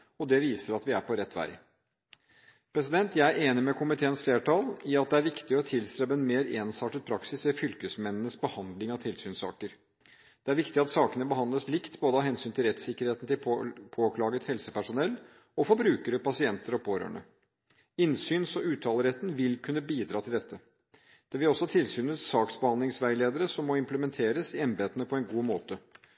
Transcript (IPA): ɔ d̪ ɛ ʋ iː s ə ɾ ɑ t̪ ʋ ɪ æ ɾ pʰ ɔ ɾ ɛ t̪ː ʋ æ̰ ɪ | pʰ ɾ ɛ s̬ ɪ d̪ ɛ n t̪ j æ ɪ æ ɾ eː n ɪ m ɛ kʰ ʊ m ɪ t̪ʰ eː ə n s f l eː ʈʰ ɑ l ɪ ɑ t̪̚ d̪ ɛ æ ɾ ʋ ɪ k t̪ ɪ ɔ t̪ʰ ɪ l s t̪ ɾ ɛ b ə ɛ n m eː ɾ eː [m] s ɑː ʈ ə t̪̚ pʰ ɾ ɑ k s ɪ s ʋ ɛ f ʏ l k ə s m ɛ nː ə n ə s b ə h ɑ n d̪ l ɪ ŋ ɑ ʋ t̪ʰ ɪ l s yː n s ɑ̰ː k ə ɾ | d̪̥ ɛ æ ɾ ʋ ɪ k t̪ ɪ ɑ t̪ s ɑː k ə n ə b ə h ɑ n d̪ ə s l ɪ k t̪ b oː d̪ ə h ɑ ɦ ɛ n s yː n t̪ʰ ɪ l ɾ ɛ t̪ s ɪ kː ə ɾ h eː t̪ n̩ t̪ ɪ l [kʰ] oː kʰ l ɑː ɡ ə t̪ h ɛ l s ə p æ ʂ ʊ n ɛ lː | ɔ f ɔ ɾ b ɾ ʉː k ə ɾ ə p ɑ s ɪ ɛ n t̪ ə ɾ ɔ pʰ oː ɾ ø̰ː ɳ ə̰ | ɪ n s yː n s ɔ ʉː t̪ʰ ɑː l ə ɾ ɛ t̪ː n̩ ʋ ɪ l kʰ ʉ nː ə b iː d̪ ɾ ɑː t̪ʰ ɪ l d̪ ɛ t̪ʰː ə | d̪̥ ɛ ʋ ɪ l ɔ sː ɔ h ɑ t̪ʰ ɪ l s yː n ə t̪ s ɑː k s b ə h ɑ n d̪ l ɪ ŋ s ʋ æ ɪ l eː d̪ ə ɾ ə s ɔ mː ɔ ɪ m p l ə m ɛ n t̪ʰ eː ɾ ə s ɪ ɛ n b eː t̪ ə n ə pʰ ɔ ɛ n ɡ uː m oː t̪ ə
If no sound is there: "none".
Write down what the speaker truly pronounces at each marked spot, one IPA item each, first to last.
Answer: n, pʰ

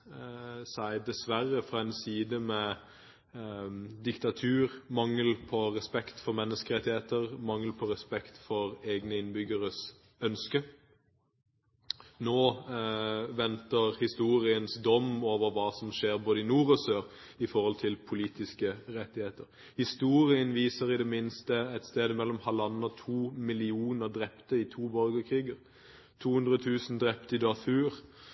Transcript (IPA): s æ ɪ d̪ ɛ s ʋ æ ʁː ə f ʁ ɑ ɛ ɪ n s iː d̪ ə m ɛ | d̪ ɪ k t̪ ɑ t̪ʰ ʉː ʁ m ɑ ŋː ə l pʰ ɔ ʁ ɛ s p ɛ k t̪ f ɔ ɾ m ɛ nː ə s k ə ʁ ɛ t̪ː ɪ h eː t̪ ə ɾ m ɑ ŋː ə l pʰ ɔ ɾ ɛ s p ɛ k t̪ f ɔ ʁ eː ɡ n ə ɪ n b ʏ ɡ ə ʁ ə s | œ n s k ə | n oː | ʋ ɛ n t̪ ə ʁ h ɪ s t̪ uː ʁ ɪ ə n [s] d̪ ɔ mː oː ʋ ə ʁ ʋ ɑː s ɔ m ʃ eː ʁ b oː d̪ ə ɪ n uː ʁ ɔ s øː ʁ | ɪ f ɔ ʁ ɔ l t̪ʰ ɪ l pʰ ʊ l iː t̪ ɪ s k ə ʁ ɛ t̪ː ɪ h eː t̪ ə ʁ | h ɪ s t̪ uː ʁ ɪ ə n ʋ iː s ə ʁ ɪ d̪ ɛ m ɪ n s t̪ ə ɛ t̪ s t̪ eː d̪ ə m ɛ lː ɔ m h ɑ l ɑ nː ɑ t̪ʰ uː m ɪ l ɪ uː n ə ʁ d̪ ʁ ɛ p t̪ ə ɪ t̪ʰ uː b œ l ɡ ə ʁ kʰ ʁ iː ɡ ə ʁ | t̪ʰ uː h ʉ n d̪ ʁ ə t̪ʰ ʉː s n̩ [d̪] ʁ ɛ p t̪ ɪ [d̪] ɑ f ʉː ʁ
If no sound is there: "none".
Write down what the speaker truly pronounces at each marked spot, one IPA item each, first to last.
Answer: s, d̪, d̪

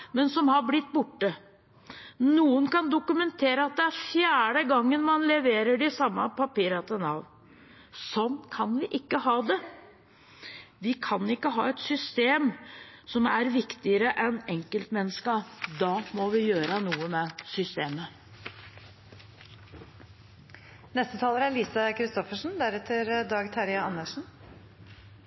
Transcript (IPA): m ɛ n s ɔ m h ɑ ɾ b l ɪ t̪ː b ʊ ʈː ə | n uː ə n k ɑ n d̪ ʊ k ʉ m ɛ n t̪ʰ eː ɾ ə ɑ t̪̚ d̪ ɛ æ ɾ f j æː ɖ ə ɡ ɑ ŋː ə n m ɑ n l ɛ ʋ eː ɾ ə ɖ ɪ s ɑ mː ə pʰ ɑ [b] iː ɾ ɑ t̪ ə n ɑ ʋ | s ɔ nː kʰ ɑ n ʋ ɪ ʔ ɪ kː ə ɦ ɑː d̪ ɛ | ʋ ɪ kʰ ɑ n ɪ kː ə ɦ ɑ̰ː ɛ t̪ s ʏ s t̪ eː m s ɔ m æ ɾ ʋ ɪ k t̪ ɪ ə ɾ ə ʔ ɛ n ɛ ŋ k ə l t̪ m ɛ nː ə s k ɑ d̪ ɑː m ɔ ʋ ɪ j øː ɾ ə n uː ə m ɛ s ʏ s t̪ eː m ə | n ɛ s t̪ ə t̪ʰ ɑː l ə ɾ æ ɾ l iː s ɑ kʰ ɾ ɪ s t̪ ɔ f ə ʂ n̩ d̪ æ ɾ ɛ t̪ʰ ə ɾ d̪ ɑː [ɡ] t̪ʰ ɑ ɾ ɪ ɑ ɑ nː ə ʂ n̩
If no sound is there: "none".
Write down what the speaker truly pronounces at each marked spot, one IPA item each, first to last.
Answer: p, ɡ

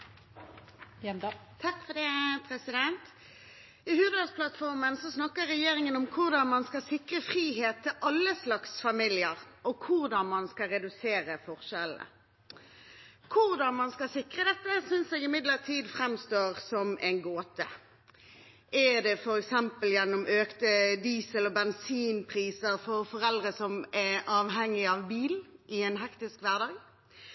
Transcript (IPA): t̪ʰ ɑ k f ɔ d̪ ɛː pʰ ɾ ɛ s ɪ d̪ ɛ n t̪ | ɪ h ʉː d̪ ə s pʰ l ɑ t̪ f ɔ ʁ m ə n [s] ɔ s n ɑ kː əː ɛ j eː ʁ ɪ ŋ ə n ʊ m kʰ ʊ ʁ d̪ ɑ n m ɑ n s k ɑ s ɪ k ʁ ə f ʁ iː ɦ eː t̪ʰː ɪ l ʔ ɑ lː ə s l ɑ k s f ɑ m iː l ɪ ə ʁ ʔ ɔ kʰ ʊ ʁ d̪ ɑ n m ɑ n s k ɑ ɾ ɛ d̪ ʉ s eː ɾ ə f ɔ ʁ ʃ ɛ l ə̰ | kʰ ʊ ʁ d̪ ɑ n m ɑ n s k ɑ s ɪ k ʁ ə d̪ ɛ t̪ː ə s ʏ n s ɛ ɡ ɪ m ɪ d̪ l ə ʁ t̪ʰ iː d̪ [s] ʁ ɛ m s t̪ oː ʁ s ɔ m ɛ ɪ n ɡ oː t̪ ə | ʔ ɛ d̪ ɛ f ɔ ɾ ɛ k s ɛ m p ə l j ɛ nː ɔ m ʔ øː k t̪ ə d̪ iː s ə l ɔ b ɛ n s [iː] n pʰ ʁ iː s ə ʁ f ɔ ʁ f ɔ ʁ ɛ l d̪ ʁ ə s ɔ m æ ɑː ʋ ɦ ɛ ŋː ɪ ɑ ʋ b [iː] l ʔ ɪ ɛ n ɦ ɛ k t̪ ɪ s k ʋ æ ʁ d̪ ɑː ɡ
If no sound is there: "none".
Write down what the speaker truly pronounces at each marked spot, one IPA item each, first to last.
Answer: s, f, iː, iː

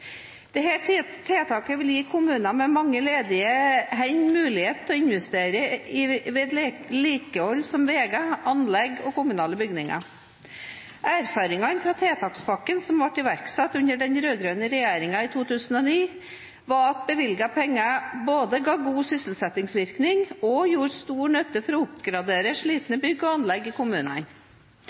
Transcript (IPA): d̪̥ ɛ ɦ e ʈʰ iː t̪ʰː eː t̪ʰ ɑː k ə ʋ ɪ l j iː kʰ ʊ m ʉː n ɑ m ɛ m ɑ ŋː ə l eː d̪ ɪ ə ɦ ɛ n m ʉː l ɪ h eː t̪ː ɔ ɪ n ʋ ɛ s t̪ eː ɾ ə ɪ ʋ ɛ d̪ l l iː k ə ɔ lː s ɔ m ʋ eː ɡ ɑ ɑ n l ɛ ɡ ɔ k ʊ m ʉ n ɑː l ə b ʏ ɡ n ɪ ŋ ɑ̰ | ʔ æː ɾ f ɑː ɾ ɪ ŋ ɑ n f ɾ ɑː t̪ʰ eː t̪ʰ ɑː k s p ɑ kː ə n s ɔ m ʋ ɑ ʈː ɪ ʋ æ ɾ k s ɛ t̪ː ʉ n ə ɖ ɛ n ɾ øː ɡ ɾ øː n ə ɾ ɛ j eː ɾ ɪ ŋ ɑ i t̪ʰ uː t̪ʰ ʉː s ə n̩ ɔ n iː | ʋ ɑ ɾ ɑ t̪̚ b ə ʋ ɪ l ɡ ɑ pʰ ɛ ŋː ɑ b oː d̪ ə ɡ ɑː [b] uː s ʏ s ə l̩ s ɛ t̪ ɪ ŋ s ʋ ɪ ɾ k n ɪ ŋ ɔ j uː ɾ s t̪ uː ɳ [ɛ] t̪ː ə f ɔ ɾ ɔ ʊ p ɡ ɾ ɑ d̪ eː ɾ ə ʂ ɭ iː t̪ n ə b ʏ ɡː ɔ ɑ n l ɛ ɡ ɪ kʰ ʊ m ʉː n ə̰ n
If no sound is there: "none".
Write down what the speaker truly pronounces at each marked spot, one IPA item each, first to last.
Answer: ɡ, œ

